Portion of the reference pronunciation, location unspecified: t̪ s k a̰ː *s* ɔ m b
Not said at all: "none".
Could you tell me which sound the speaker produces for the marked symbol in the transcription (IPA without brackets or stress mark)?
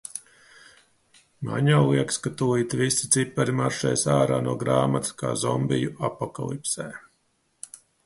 z